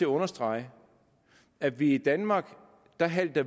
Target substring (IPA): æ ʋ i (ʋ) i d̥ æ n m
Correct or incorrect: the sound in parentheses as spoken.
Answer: incorrect: none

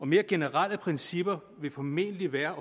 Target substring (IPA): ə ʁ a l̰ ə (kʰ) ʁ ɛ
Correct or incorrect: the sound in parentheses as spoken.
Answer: incorrect: pʰ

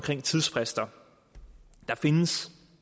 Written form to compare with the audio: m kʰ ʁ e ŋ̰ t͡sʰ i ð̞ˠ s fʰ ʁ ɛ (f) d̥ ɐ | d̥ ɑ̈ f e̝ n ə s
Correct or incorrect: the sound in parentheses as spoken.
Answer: incorrect: s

